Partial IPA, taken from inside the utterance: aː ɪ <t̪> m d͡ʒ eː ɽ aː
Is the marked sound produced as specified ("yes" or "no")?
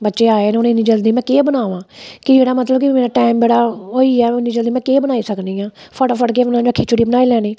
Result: no